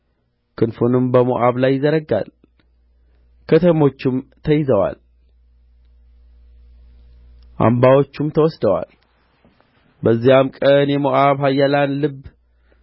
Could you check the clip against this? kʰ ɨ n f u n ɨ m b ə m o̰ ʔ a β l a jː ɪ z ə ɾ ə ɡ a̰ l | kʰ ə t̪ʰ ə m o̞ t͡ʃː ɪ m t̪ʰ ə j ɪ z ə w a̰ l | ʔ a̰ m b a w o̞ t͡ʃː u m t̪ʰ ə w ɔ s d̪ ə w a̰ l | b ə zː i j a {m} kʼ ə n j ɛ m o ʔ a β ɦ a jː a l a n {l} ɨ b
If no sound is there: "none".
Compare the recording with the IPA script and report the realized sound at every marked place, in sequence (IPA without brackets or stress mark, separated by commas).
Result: m, l